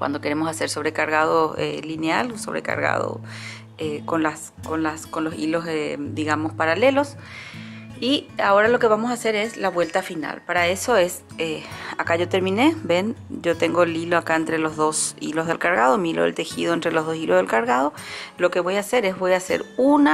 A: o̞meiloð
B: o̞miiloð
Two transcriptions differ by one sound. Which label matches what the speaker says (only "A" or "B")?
B